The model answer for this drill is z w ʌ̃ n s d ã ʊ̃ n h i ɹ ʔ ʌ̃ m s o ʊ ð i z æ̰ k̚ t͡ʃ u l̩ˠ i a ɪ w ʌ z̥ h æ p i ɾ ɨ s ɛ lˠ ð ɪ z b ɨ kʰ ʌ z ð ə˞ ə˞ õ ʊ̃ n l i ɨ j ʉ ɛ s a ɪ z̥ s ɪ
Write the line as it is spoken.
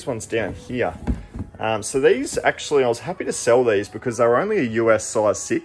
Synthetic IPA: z w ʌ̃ n z d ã ʊ̃ n h i ɹ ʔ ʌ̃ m s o ʊ ð i z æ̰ k̚ t͡ʃ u l̩ˠ i a ɪ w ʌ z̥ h æ p i ɾ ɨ s ɛ lˠ ð i z b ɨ kʰ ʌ z ð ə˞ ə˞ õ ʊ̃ n l i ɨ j ʉ ɛ s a ɪ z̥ s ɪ